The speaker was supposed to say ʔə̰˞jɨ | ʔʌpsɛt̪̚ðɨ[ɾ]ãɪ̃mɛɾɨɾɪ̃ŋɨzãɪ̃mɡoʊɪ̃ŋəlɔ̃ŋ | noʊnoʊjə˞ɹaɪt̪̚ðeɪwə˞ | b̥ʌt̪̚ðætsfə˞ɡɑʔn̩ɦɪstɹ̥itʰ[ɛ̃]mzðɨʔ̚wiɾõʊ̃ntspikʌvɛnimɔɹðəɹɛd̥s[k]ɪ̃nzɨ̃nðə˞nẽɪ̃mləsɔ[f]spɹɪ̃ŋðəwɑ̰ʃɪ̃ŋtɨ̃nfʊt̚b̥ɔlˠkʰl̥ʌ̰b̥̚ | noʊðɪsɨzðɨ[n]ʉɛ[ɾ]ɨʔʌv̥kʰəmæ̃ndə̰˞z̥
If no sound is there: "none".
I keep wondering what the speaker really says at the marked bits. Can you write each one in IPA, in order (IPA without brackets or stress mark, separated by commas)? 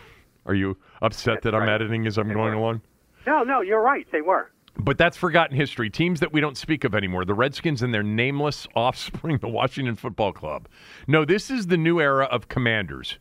ɾ, ĩ, k, f, n, ɹ